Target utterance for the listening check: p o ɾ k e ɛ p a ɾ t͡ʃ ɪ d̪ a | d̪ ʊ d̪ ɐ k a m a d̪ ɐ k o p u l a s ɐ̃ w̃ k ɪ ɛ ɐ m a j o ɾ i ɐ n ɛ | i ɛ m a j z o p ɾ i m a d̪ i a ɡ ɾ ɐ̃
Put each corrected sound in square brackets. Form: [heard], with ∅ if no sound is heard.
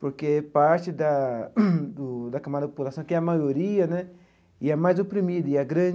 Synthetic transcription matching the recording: p o ɾ k e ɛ p a ɾ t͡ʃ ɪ d̪ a | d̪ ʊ d̪ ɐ k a m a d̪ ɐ [p] o p u l a s ɐ̃ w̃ k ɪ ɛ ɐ m a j o ɾ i ɐ n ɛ | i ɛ m a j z o p ɾ i m [i] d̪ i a ɡ ɾ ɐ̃